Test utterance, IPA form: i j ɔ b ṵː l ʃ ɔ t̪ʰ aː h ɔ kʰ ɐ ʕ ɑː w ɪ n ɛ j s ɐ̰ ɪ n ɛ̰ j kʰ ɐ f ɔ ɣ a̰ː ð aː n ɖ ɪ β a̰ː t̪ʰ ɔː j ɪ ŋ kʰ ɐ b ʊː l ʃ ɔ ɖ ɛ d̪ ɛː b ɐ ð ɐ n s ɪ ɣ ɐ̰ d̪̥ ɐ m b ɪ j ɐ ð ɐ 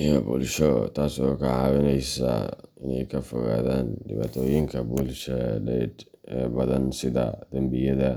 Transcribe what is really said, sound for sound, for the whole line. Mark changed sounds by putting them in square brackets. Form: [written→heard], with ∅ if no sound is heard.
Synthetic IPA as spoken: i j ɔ b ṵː l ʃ ɔ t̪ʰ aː [h→s] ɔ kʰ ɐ ʕ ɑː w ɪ n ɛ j s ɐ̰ ɪ n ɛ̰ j kʰ ɐ f ɔ ɣ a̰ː ð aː n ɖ ɪ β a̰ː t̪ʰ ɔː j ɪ ŋ kʰ ɐ b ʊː l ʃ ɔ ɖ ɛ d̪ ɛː b ɐ ð ɐ n s ɪ [ɣ→ð] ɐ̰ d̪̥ ɐ m b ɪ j ɐ ð ɐ